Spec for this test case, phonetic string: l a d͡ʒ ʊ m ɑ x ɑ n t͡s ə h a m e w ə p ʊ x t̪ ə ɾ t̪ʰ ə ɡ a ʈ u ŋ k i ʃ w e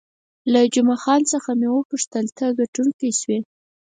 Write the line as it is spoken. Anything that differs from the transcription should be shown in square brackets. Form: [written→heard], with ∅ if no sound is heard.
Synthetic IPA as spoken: l a d͡ʒ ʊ m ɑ x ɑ n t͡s ə [h→x] a m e w ə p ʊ [x→ʂ] t̪ ə [ɾ→l] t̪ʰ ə ɡ a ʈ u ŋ k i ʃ w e